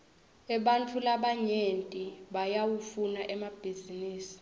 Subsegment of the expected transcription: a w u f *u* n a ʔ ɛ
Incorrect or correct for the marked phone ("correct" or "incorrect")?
correct